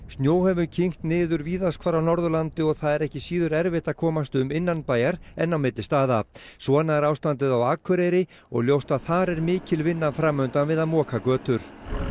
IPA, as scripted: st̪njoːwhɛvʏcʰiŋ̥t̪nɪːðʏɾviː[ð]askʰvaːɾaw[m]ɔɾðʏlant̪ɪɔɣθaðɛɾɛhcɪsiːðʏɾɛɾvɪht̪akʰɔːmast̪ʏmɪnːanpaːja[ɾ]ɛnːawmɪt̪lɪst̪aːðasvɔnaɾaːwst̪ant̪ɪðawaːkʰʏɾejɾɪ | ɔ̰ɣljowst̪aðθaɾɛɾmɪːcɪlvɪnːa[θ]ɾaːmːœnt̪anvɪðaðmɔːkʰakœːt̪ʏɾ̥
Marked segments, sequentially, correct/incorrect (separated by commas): correct, incorrect, correct, incorrect